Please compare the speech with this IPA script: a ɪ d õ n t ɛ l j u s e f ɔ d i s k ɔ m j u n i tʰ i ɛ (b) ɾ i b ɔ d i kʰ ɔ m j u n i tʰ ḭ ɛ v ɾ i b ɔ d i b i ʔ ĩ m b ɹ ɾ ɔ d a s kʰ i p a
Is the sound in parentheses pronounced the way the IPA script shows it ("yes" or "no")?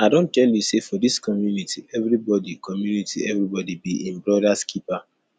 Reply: no